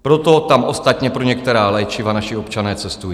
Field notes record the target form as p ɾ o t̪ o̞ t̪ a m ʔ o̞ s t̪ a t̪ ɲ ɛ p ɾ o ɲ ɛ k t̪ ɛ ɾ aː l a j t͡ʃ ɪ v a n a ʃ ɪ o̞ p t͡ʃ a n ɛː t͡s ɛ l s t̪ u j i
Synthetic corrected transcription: p ɾ o t̪ o̞ t̪ a m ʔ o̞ s t̪ a t̪ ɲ ɛ p ɾ o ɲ ɛ k t̪ ɛ ɾ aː l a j t͡ʃ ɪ v a n a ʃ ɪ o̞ p t͡ʃ a n ɛː t͡s ɛ s t̪ u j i